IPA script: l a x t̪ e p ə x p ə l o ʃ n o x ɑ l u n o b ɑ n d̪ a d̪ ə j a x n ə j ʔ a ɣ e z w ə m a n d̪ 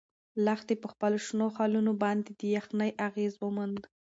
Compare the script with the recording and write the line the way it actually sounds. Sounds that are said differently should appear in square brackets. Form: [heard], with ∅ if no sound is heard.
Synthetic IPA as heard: l a x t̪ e p ə x p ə l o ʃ n o x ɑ l u n o b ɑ n d̪ [e] d̪ ə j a x n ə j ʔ a ɣ e z w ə m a n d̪